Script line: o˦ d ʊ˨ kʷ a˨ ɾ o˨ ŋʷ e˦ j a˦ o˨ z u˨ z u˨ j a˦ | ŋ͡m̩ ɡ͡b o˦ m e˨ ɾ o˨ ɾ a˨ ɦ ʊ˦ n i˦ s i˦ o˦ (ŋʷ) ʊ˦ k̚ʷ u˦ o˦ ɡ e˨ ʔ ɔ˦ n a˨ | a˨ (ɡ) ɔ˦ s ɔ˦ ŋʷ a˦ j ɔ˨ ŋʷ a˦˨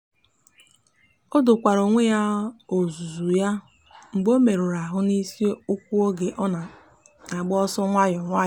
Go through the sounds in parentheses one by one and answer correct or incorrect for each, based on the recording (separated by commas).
incorrect, incorrect